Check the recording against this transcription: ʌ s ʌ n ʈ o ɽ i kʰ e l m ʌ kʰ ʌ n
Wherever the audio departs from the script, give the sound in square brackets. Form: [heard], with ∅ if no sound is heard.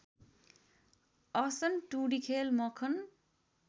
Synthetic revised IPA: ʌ s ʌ n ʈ [u] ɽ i kʰ e l m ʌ kʰ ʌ n